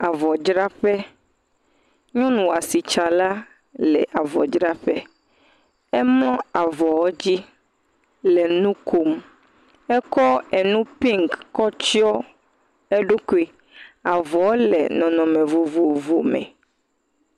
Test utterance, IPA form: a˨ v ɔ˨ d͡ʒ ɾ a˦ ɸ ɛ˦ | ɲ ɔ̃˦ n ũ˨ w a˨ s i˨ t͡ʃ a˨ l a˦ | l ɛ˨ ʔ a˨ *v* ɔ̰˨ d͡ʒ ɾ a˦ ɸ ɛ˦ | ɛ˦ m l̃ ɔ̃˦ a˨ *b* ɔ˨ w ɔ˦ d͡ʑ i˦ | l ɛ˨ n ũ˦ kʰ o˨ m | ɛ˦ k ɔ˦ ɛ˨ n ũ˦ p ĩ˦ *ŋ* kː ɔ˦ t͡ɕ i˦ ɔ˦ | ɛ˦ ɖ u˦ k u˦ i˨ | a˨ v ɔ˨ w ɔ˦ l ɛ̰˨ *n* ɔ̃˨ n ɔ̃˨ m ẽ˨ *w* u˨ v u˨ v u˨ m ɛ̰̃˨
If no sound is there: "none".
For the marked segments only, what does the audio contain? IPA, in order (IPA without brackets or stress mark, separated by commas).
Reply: v, v, ŋ, n, v